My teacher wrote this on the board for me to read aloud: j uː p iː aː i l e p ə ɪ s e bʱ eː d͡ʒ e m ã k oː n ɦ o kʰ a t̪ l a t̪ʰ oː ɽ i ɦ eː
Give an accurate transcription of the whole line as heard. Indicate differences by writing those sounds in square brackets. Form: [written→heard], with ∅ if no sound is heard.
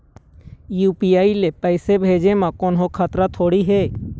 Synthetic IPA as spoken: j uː p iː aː i l e p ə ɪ s e bʱ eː d͡ʒ e m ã k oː n ɦ o kʰ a t̪ [l→ɾ] a t̪ʰ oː ɽ i ɦ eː

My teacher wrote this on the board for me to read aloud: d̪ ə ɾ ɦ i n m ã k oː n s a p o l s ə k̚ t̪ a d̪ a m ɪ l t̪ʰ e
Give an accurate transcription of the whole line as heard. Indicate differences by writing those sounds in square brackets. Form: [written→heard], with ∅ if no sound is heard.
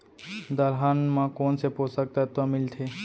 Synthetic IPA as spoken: d̪ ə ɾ ɦ [i→a] n m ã k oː n s [a→e] p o [l→∅] s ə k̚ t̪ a [d̪→t̪] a m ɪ l t̪ʰ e

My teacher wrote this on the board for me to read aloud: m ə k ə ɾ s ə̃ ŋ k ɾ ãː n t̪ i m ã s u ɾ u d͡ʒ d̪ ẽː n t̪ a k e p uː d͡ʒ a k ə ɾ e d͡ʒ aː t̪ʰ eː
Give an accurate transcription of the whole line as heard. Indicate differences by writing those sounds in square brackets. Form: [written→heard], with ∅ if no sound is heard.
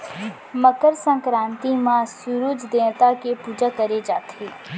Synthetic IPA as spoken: m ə k ə ɾ s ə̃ ŋ k ɾ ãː n t̪ i m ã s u ɾ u d͡ʒ d̪ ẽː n t̪ a k e p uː d͡ʒ a k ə ɾ e d͡ʒ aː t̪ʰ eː

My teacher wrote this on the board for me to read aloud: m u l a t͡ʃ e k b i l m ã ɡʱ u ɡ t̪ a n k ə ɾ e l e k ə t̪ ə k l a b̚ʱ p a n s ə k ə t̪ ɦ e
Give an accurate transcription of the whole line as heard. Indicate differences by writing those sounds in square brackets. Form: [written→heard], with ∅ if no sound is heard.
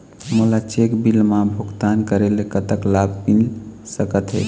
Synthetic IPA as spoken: m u l a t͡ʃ e k b i l m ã [ɡʱ→bʱ] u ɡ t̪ a n k ə ɾ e l e k ə t̪ ə k l a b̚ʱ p [a→i] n s ə k ə t̪ ɦ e

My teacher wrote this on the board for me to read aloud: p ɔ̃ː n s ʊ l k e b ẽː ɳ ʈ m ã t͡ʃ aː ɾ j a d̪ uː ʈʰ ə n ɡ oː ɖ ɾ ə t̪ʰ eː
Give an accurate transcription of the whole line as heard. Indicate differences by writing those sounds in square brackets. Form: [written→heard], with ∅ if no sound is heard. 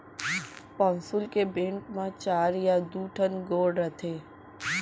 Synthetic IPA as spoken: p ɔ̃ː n s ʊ l k e b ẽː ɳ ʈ m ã t͡ʃ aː ɾ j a d̪ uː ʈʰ ə n ɡ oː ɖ ɾ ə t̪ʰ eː

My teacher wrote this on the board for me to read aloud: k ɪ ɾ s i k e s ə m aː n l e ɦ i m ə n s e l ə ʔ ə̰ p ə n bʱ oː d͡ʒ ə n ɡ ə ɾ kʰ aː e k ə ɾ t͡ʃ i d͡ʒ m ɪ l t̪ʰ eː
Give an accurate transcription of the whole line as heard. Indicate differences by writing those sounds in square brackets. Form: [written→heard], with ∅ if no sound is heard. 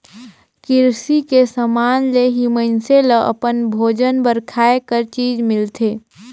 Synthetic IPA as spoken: k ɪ ɾ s i k e s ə m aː n l e ɦ i m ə n s e l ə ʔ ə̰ p ə n bʱ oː d͡ʒ ə n [ɡ→b] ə ɾ kʰ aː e k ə ɾ t͡ʃ [i→iː] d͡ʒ m ɪ l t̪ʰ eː

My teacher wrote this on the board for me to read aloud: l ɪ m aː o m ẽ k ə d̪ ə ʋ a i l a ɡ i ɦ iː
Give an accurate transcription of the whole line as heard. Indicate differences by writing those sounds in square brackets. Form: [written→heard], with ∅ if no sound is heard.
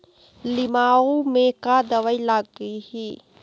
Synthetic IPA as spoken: l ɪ m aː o m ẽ k [ə→a] d̪ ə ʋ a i l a ɡ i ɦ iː

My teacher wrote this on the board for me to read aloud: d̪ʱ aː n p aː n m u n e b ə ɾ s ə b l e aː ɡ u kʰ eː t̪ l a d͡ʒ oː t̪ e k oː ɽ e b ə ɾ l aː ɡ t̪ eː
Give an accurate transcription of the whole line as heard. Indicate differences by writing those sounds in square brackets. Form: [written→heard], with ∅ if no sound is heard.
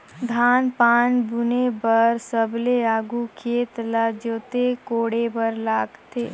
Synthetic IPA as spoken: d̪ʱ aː n p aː n [m→b] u n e b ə ɾ s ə b l e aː ɡ u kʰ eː t̪ l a d͡ʒ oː t̪ e k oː ɽ e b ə ɾ l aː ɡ t̪ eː

